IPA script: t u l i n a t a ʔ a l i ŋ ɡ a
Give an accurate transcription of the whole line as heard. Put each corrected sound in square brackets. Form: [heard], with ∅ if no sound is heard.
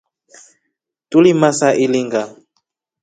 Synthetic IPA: t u l i [m] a [s] a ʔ [i] l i ŋ ɡ a

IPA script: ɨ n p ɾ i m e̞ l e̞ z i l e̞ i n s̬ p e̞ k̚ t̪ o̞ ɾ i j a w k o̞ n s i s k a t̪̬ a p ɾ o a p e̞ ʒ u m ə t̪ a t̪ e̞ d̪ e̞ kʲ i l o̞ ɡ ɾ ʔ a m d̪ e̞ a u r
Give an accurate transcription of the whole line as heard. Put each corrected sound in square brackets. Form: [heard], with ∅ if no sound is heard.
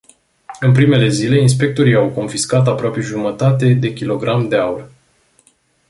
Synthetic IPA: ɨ n p ɾ i m e̞ l e̞ z i l e̞ i n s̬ p e̞ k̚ t̪ o̞ ɾ i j a w k o̞ n [f] i s k a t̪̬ a p ɾ o a p e̞ ʒ u m ə t̪ a t̪ e̞ d̪ e̞ kʲ i l o̞ ɡ ɾ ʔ a m d̪ e̞ a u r

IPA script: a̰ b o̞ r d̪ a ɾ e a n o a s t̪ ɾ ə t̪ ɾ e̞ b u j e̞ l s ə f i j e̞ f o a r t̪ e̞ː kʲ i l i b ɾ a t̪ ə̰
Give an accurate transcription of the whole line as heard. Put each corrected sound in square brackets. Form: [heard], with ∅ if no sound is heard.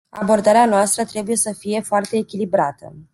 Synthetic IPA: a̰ b o̞ r d̪ a ɾ e a n o a s t̪ ɾ ə t̪ ɾ e̞ b u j e̞ [∅] s ə f i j e̞ f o a r t̪ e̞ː kʲ i l i b ɾ a t̪ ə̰

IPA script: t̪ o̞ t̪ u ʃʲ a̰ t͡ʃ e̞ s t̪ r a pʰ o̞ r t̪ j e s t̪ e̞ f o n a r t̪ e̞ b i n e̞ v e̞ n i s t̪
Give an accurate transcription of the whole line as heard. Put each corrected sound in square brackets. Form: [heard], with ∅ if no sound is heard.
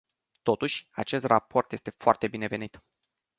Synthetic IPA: t̪ o̞ t̪ u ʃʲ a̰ t͡ʃ e̞ s t̪ r a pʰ o̞ r t̪ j e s t̪ e̞ f o [∅] a r t̪ e̞ b i n e̞ v e̞ n i [∅] t̪

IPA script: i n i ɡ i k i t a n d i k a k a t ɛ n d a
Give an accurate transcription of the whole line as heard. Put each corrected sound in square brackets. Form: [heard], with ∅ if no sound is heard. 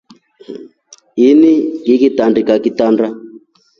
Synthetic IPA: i n i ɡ i k i t a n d i k a k [i] t [a] n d a

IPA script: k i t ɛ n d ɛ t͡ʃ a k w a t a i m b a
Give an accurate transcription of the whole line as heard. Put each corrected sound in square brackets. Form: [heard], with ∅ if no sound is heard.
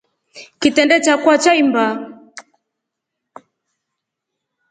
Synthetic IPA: k i t ɛ n d ɛ t͡ʃ a k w a [t͡ʃ] a i m b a

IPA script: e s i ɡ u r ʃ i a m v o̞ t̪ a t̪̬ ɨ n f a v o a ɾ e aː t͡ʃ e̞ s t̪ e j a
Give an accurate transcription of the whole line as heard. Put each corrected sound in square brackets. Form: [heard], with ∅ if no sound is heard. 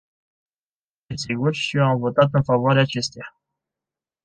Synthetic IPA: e s i ɡ u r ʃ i a m v o̞ t̪ a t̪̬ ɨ n f a v o a ɾ e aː t͡ʃ e̞ s t̪ e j a

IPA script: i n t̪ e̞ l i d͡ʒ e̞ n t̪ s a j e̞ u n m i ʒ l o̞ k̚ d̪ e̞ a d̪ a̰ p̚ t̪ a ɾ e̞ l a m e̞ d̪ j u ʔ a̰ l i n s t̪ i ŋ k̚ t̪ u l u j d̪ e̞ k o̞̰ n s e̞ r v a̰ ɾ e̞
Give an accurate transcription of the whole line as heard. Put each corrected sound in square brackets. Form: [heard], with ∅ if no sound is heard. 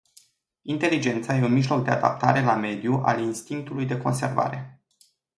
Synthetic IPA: i n t̪ e̞ l i d͡ʒ e̞ n t̪ s a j e̞ u n m i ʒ l o̞ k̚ d̪ e̞ a d̪ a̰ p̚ t̪ a ɾ e̞ l a m e̞ d̪ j u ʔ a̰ l i n s t̪ i ŋ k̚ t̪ u l u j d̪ e̞ k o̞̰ n s e̞ r v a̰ ɾ e̞

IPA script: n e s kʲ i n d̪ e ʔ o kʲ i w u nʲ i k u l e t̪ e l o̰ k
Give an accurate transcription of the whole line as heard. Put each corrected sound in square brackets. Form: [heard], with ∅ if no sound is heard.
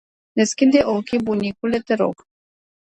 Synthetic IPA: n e s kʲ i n d̪ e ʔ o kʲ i [b] u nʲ i k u l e t̪ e [ɾ] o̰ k

